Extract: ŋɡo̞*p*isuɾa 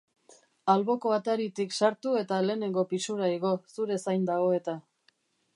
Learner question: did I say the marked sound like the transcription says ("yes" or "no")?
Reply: yes